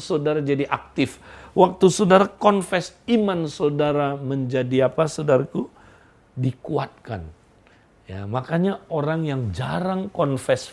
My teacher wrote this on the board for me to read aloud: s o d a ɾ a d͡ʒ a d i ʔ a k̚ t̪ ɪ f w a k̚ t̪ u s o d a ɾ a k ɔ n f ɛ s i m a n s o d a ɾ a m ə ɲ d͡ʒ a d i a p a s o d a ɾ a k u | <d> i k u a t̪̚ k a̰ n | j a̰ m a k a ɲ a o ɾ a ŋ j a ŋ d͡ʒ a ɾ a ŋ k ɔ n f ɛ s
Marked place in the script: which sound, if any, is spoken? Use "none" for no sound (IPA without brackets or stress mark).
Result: d